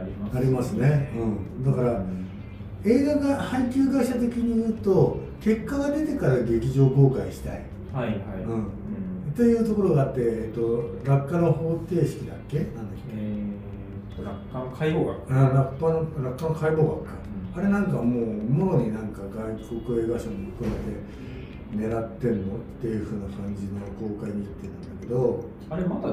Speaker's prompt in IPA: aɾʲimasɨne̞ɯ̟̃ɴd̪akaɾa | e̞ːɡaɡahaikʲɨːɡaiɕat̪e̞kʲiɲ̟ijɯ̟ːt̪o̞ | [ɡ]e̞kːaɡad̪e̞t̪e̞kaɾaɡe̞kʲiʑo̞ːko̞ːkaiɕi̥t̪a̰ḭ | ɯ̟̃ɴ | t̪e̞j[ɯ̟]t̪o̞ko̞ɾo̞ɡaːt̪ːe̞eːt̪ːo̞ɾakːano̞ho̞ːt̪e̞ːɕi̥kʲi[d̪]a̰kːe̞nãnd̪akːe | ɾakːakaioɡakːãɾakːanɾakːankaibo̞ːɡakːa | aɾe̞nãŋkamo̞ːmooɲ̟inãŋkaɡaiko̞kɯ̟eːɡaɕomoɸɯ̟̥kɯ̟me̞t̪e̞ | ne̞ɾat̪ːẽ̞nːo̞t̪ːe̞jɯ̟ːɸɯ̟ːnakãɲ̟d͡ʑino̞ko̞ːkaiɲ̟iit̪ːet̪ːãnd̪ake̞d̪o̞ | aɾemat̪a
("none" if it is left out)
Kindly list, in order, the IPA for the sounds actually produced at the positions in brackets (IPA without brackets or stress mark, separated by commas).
k, ɯ̟ː, d̪